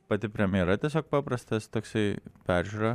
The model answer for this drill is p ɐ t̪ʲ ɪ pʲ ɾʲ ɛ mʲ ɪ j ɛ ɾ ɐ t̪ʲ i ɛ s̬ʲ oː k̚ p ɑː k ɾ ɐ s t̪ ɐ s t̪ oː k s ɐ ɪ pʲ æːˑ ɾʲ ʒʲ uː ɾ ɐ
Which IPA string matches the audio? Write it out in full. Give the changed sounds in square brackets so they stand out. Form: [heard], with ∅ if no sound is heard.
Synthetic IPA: p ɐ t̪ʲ ɪ pʲ ɾʲ ɛ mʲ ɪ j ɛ ɾ ɐ t̪ʲ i ɛ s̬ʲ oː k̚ p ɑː [p] ɾ ɐ s t̪ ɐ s t̪ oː k s ɐ ɪ pʲ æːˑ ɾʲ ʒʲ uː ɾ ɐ

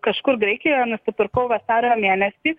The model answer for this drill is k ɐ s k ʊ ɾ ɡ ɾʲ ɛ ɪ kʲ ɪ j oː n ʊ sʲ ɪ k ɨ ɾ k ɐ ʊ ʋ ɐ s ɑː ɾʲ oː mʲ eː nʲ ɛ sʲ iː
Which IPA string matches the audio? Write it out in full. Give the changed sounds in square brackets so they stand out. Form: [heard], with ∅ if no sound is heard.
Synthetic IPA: k ɐ [ʃ] k ʊ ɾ ɡ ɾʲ ɛ ɪ kʲ ɪ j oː n ʊ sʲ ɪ [p] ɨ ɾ k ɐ ʊ ʋ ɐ s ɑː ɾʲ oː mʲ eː nʲ ɛ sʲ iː

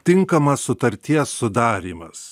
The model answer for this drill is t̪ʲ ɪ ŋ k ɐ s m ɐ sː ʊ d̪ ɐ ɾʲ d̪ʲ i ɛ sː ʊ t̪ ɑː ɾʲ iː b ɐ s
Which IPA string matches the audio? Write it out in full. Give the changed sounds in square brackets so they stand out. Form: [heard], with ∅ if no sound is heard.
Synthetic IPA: t̪ʲ ɪ ŋ k ɐ [∅] m ɐ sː ʊ [t̪] ɐ ɾʲ [t̪ʲ] i ɛ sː ʊ [d̪] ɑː ɾʲ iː [m] ɐ s

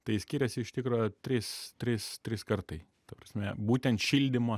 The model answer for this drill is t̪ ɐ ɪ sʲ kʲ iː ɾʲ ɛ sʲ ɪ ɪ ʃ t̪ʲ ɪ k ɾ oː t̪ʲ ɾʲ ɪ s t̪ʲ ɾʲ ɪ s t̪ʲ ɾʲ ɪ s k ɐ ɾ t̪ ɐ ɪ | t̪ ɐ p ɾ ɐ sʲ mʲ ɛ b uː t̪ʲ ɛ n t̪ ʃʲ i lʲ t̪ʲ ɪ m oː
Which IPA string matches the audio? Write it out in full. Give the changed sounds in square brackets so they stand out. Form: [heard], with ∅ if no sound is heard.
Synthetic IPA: t̪ ɐ ɪ sʲ kʲ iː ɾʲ ɛ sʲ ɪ ɪ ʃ t̪ʲ ɪ k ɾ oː t̪ʲ ɾʲ ɪ s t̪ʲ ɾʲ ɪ s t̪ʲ ɾʲ ɪ s k ɐ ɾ t̪ ɐ ɪ | t̪ ɐ p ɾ ɐ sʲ mʲ ɛ b uː t̪ʲ ɛ n t̪ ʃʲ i lʲ [d̪ʲ] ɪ m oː

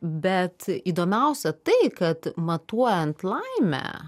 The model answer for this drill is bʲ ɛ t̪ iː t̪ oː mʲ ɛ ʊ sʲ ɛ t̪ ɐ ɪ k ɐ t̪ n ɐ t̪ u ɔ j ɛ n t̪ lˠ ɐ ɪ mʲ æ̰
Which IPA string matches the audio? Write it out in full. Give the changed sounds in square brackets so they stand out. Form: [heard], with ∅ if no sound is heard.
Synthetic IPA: bʲ ɛ t̪ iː [d̪] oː mʲ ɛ ʊ sʲ ɛ t̪ ɐ ɪ k ɐ t̪ [m] ɐ t̪ u ɔ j ɛ n t̪ lˠ ɐ ɪ mʲ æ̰

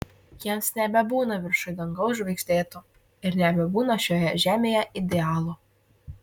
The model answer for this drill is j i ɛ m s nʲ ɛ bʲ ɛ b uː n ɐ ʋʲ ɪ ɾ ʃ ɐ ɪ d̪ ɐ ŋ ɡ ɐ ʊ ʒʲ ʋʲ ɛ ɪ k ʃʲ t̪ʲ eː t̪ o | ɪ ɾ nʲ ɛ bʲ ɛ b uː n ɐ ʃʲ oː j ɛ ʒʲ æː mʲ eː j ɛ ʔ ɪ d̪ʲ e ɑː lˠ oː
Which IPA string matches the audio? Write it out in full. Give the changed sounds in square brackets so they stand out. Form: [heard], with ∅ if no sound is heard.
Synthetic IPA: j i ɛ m s nʲ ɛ bʲ ɛ b uː n ɐ ʋʲ ɪ ɾ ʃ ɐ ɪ d̪ ɐ ŋ ɡ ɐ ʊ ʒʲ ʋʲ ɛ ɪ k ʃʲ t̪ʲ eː t̪ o | ɪ ɾ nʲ ɛ bʲ ɛ b uː n ɐ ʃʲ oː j ɛ ʒʲ æː mʲ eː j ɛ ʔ ɪ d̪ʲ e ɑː lˠ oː

